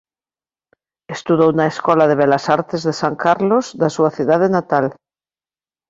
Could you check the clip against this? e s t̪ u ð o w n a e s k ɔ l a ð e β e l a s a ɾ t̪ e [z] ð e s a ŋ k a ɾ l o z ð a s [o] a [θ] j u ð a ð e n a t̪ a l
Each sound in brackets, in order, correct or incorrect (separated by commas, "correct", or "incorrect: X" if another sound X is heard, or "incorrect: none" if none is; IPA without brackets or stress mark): correct, incorrect: u, correct